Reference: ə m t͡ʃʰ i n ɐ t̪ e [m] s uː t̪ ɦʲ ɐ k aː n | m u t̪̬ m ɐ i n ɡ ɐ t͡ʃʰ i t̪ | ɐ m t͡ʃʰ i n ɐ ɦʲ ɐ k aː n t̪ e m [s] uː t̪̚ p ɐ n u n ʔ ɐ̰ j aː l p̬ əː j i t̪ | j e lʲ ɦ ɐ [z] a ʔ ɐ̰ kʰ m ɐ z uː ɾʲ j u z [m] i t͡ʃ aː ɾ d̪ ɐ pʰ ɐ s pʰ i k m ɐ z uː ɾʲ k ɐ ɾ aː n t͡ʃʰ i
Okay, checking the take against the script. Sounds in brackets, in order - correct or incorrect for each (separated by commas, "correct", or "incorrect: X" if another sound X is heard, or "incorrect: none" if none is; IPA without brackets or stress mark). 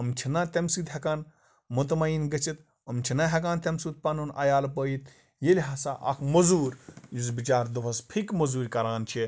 correct, correct, incorrect: s, incorrect: b